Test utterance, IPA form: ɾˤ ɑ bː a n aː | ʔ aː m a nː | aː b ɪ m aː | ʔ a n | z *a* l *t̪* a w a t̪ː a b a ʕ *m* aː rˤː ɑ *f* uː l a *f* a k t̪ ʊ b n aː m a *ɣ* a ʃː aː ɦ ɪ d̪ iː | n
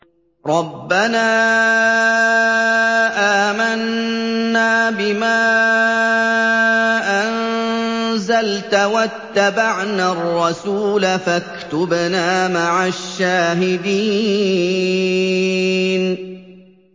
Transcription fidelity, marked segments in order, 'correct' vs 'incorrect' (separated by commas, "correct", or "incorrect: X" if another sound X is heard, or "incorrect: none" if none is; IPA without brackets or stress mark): correct, correct, incorrect: n, incorrect: s, correct, incorrect: ʕ